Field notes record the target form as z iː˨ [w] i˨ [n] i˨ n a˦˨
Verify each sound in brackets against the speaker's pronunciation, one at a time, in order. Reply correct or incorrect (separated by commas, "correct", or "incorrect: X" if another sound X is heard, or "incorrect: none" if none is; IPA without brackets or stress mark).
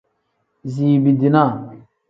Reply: incorrect: b, incorrect: d